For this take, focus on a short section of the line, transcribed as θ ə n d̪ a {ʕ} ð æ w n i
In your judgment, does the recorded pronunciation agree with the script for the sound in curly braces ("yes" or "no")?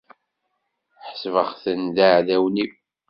yes